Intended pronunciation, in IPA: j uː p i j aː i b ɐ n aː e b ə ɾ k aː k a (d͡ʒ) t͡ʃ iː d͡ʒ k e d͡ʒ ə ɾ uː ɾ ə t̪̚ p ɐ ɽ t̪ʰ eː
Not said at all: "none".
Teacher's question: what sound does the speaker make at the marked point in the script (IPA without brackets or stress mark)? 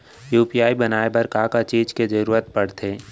none